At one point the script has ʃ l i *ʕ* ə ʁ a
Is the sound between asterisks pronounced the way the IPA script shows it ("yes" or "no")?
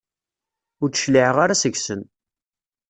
yes